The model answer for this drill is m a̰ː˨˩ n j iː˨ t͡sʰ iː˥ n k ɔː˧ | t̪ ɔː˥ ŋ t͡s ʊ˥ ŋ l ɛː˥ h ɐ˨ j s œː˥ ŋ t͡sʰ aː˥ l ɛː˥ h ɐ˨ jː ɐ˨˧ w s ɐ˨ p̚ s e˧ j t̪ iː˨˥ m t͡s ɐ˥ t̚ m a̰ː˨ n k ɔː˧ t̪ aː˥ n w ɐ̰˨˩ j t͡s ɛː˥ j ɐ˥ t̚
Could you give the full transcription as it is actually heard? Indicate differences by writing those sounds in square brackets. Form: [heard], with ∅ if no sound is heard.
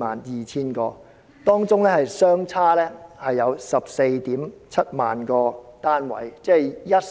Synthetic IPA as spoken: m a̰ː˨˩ n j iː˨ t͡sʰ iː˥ n k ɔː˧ | t̪ ɔː˥ ŋ t͡s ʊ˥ ŋ l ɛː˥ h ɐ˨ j s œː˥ ŋ t͡sʰ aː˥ l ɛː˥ h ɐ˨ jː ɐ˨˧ w s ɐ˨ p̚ s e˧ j t̪ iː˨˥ m [t͡sʰ] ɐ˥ t̚ m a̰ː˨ n k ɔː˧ t̪ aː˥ n w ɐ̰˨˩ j t͡s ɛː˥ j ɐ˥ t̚

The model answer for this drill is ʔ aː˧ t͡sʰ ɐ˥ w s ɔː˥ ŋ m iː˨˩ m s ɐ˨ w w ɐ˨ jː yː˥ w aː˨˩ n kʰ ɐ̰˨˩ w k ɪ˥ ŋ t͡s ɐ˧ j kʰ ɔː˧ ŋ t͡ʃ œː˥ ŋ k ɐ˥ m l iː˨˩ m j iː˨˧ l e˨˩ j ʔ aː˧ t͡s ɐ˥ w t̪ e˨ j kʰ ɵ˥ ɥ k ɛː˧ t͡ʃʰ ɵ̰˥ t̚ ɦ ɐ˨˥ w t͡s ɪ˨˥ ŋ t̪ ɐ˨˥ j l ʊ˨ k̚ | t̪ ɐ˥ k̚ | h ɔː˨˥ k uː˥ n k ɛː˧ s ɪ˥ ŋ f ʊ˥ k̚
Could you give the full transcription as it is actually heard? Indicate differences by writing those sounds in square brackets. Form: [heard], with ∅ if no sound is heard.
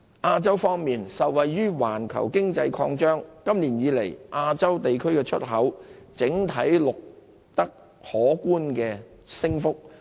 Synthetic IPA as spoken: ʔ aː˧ [t͡s] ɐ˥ w [f] ɔː˥ ŋ m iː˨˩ [n] s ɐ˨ w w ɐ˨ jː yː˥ w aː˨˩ n kʰ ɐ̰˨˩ w k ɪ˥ ŋ t͡s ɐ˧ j kʰ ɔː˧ ŋ t͡ʃ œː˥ ŋ k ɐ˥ m l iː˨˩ [n] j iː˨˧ l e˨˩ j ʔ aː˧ t͡s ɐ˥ w t̪ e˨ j kʰ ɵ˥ ɥ k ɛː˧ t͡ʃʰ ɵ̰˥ t̚ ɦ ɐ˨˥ w t͡s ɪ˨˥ ŋ [t̪ʰ] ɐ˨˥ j l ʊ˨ k̚ | t̪ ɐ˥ k̚ | h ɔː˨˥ k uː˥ n k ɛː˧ s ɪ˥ ŋ f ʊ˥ k̚

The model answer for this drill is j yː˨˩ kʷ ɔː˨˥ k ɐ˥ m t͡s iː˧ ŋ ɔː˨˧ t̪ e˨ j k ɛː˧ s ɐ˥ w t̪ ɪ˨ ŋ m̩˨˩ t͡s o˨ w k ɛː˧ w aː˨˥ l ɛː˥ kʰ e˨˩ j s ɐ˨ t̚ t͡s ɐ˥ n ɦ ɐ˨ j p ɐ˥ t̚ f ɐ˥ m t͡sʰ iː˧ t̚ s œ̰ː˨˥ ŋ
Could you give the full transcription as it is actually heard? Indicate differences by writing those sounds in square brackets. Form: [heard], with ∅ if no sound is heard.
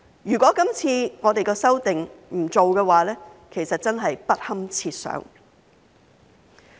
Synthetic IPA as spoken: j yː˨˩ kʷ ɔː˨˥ k ɐ˥ m [t͡sʰ] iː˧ ŋ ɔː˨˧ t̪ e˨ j k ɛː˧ s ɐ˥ w t̪ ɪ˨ ŋ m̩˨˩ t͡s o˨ w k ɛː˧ w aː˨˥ l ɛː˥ kʰ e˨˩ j s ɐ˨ t̚ t͡s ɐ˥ n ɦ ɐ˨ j p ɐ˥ t̚ [h] ɐ˥ m t͡sʰ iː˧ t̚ s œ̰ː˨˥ ŋ

